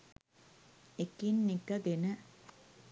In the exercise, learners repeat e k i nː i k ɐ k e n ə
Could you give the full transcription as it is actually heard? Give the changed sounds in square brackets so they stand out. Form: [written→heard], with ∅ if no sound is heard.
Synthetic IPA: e k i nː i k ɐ [k→ɡ] e n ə